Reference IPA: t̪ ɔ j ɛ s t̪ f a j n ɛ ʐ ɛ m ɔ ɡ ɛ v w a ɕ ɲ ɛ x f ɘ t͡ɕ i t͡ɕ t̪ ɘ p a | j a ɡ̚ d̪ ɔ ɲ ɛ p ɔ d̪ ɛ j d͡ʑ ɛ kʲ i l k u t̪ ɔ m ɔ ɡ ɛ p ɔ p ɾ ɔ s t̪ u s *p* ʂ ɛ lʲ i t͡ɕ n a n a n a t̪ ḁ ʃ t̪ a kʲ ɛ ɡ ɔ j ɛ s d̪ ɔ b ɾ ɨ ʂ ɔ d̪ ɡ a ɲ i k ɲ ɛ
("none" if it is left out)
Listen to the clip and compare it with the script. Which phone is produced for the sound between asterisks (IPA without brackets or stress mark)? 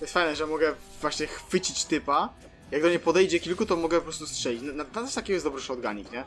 t